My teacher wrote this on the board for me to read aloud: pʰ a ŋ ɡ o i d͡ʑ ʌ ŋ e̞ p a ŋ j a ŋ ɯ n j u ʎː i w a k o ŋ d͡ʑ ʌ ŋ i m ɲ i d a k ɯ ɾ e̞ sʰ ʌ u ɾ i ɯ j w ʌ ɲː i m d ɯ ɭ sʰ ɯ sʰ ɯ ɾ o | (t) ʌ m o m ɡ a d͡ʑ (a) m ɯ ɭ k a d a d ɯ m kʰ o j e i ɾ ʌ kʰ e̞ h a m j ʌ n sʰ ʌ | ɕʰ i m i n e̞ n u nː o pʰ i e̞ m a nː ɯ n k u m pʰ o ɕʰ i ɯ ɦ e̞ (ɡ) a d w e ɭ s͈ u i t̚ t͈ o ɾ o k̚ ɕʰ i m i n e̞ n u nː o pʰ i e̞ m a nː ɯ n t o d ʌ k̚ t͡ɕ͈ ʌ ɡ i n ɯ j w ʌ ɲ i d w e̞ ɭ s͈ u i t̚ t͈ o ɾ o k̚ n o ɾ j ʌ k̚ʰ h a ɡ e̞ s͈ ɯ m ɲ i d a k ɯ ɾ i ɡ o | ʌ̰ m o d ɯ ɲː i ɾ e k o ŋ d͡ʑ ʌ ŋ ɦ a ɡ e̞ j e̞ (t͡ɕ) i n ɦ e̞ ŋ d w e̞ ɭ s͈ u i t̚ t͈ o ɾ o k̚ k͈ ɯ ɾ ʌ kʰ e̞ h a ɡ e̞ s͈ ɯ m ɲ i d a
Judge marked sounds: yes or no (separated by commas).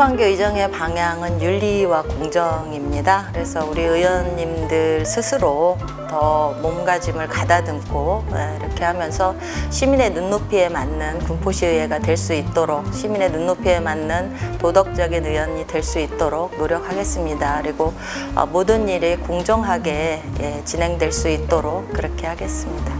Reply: yes, no, yes, yes